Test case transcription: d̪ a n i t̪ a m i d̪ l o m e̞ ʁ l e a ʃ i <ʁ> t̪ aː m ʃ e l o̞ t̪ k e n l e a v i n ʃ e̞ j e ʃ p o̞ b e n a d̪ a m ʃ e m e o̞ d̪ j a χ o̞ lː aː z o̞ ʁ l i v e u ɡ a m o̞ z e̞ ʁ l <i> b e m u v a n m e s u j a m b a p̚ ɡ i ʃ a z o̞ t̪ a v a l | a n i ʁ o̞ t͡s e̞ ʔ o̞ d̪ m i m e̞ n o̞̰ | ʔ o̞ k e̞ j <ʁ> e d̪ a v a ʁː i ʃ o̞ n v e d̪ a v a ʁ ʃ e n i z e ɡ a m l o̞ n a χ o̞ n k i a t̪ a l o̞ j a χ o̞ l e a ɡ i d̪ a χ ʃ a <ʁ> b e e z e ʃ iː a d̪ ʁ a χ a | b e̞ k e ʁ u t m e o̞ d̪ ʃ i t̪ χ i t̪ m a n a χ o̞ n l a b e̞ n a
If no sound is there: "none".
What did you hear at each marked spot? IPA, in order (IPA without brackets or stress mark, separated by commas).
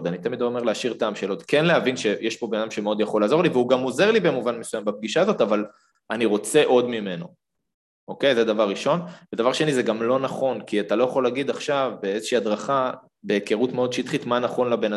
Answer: ʁ, i, z, v